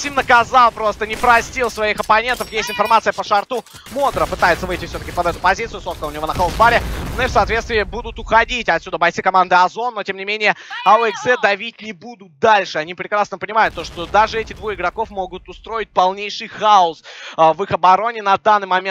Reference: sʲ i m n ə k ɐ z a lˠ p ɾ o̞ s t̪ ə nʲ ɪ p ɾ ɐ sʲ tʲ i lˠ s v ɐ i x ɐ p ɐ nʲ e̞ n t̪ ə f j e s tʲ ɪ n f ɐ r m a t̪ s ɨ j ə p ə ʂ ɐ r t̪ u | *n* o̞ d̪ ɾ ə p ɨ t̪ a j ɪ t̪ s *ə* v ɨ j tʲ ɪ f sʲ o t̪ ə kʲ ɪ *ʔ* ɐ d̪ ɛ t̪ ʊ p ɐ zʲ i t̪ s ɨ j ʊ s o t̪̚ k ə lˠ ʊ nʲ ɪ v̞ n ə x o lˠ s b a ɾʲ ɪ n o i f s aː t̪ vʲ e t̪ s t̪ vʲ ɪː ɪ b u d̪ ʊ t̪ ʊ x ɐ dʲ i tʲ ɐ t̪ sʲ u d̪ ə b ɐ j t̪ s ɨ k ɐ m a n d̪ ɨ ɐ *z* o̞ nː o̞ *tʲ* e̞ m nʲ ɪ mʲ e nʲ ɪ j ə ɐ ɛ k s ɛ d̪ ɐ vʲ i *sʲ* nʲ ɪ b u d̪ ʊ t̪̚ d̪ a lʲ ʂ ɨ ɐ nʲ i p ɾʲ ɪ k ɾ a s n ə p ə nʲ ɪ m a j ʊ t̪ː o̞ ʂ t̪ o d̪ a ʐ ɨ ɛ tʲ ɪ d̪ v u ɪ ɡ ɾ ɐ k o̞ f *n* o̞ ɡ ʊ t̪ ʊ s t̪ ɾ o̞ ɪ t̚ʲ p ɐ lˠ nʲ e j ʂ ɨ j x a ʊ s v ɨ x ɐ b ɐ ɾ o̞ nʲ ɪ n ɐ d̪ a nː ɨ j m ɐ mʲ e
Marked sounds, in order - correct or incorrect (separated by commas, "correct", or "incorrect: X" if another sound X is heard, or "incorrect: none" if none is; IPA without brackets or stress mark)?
incorrect: m, correct, incorrect: p, correct, correct, incorrect: tʲ, incorrect: m